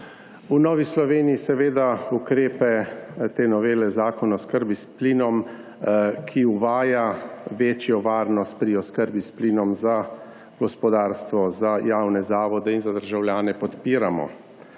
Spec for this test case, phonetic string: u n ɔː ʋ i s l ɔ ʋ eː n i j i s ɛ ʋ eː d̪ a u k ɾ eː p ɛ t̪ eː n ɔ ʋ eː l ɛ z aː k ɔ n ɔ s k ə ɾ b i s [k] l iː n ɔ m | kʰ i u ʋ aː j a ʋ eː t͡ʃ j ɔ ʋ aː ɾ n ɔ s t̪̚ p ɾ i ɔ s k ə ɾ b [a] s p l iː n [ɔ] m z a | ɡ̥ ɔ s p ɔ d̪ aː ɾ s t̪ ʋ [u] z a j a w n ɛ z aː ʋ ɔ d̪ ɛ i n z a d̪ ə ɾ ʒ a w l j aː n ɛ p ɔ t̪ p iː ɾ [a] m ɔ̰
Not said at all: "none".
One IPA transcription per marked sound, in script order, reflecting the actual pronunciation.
p, i, ɔ, ɔ, a

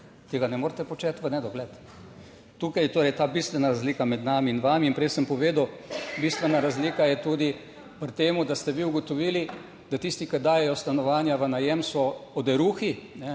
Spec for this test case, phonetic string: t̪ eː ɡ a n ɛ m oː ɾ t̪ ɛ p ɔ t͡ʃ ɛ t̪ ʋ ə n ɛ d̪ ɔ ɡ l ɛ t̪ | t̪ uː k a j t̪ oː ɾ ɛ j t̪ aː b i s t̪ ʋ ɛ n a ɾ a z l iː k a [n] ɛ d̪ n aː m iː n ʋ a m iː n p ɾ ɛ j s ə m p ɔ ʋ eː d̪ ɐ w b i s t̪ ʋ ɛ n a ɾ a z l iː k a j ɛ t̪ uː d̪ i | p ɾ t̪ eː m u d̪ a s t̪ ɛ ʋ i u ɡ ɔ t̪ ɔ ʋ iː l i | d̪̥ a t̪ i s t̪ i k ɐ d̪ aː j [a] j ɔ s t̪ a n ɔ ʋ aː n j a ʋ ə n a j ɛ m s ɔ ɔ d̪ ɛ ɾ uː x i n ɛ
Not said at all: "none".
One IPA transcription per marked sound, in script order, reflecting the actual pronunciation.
m, ɛ

